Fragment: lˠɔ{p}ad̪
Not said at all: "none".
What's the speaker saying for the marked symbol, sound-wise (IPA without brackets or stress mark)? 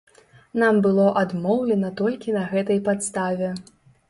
ʔ